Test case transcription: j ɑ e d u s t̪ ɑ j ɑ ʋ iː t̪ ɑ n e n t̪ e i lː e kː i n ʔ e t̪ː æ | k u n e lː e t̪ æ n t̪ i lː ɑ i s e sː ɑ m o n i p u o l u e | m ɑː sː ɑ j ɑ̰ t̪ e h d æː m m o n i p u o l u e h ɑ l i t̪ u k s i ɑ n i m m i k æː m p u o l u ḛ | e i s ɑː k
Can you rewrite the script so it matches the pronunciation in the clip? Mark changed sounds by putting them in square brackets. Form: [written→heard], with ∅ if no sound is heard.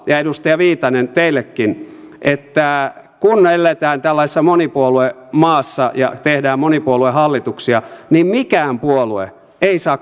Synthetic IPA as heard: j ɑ e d u s t̪ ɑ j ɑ ʋ iː t̪ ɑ n e n t̪ e i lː e kː i n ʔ e t̪ː æ | k u n e lː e t̪ [æ→æː] n t̪ [i→æ] lː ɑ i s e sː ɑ m o n i p u o l u e | m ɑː sː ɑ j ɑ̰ t̪ e h d æː m m o n i p u o l u e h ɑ [l→lː] i t̪ u k s i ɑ n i m m i k æː m p u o l u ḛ | e i s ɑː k